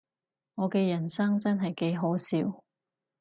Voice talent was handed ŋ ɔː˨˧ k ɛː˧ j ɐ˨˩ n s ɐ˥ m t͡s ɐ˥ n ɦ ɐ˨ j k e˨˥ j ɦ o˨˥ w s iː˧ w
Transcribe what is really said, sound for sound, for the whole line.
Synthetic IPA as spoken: ŋ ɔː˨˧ k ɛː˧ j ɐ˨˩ n s ɐ˥ ŋ t͡s ɐ˥ n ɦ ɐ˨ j k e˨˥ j ɦ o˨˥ w s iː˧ w